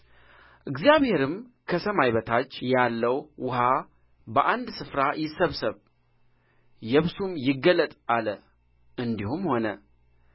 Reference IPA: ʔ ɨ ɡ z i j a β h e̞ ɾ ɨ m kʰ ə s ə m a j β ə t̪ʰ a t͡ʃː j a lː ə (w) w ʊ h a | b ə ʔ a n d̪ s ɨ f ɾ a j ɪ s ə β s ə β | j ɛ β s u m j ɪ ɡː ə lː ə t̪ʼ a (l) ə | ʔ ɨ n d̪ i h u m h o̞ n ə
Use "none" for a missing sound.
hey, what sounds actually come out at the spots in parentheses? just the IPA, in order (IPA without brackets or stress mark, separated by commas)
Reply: w, l